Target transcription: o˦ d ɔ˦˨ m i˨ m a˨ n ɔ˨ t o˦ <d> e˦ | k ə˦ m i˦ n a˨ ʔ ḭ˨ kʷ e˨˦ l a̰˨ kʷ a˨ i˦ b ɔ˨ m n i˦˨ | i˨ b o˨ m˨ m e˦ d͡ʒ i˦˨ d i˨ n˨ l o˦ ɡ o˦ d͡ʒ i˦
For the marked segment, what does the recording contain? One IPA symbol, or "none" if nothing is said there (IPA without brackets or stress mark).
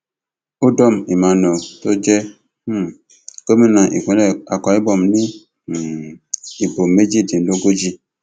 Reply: d͡ʒ